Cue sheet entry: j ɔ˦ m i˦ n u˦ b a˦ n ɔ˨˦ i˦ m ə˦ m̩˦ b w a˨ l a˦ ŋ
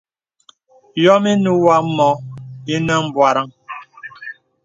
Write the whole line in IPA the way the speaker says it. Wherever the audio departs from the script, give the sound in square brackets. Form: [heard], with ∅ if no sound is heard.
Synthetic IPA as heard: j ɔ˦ m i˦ n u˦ [w] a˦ [m] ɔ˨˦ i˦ [n] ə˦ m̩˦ b w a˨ [ɾ] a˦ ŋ